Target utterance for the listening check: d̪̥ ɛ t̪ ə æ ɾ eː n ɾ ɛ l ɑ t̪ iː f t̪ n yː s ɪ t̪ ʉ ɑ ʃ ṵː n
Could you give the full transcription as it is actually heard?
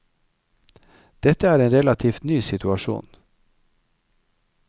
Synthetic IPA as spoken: d̪̥ ɛ t̪ ə æː ɾ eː n ɾ ɛ l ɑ t̪ʰ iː f t̪ n yː s ɪ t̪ ʉ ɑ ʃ ṵː n